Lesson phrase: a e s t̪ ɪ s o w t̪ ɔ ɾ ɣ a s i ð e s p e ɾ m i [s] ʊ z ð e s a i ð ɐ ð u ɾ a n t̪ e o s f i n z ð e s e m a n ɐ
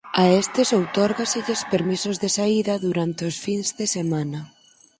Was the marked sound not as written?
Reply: no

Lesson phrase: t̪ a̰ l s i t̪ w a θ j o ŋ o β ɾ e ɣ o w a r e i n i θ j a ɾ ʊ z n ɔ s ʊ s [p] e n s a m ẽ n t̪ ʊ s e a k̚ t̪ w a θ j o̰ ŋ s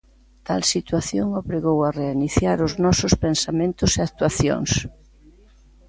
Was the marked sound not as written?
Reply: no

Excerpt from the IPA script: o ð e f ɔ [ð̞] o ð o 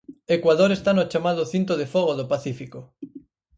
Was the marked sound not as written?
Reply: yes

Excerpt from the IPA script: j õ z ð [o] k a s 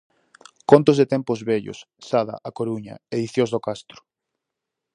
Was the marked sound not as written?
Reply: no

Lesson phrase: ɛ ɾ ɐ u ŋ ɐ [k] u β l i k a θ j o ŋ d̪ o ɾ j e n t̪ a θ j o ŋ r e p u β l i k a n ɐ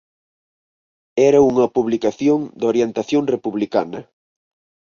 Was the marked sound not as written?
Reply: yes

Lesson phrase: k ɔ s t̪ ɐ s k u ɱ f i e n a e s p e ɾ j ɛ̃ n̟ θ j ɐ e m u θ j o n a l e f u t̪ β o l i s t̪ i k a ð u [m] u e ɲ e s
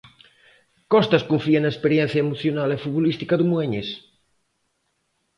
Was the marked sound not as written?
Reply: no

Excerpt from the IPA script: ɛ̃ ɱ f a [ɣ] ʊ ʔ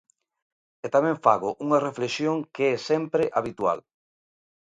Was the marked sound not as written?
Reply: no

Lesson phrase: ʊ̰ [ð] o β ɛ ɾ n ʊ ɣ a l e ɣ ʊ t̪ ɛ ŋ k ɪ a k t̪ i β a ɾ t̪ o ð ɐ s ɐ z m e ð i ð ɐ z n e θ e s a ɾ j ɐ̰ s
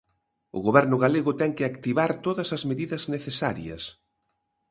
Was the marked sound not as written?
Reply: yes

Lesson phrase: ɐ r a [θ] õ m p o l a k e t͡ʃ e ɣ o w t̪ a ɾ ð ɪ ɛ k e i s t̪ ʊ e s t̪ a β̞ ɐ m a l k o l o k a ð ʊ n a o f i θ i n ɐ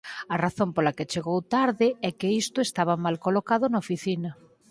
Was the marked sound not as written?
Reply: no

